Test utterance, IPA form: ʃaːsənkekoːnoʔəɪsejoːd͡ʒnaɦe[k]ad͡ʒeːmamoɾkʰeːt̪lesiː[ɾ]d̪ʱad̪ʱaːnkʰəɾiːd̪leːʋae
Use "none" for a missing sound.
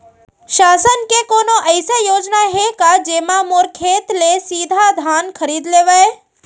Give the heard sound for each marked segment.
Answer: k, none

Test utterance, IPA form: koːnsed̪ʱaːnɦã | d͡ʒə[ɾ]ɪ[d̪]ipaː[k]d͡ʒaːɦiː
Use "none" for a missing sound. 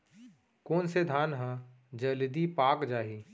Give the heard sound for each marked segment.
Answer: l, d̪, k

